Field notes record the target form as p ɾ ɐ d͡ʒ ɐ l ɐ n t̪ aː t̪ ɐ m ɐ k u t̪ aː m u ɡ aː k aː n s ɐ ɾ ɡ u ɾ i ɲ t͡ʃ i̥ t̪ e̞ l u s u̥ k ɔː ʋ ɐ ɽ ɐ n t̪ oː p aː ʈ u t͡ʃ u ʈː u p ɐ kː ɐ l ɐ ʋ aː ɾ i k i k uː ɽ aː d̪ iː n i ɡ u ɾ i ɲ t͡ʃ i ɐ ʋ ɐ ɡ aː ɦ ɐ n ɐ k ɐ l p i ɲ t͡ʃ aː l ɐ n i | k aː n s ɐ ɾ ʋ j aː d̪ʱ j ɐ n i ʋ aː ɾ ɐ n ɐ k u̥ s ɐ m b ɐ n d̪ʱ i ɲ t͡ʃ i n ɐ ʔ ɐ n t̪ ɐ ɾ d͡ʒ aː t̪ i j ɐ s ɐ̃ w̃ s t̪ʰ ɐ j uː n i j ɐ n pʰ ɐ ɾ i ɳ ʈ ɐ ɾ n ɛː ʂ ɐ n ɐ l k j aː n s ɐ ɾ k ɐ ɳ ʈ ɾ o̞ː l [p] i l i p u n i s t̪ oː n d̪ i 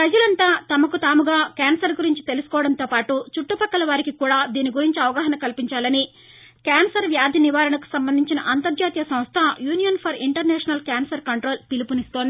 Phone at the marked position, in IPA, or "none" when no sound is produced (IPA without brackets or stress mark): p